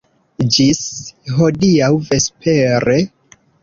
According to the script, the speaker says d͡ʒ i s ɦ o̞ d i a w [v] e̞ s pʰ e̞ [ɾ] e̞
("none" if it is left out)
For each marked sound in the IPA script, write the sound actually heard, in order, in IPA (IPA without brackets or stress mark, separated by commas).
v, ɾ